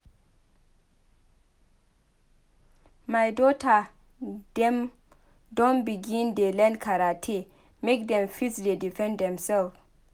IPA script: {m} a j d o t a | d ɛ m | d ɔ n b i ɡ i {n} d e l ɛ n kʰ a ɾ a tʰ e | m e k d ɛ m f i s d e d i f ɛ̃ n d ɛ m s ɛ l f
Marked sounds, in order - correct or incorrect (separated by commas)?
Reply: correct, correct